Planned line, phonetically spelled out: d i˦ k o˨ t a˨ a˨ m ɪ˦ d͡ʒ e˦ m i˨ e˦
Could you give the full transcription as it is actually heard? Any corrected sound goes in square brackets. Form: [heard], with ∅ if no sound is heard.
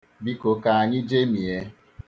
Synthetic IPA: [b] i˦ k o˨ [k] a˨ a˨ [ɲ] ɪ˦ d͡ʒ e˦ m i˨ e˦

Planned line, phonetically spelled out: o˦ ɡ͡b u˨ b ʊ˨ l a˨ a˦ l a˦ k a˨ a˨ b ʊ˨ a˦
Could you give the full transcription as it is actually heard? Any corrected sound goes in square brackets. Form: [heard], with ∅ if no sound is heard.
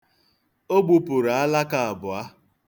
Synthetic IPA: o˦ ɡ͡b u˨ [p] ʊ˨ [ɾ] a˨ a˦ l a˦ k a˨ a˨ b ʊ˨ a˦

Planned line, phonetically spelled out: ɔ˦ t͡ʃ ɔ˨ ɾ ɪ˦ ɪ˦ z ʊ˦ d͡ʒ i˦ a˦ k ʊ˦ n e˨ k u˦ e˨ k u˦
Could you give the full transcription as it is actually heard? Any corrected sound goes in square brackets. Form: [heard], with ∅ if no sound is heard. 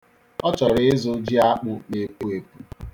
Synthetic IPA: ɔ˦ t͡ʃ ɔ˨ ɾ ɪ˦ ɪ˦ z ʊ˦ d͡ʒ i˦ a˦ [k͡p] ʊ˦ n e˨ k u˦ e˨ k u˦

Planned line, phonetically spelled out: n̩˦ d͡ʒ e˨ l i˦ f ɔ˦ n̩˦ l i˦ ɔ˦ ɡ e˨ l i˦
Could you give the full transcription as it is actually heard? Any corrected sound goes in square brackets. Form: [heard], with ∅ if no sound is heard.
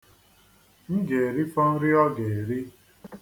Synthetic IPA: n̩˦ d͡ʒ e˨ [ɾ] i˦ f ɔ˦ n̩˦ [ɾ] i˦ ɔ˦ ɡ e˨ [ɾ] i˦

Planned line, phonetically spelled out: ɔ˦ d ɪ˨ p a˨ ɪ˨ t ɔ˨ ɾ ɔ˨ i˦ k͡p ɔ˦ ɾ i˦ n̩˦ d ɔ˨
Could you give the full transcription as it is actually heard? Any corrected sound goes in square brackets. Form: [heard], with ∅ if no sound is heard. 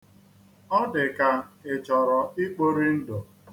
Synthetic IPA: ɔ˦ d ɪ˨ [k] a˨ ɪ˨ [t͡ʃ] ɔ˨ ɾ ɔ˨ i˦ k͡p [o˦] ɾ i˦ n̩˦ d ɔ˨

